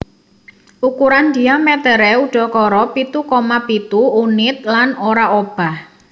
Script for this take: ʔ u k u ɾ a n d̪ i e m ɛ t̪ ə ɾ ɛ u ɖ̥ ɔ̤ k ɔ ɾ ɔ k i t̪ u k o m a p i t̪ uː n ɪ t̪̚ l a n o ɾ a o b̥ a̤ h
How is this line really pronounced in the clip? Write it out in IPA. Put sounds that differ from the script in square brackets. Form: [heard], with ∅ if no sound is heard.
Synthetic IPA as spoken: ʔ u k u ɾ a n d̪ i [a] m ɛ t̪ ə ɾ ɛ u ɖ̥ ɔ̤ k ɔ ɾ ɔ [p] i t̪ u k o m a p i t̪ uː n ɪ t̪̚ l a n o ɾ a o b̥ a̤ h